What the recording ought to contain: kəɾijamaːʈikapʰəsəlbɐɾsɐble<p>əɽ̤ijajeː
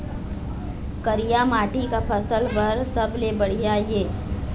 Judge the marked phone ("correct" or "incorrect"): incorrect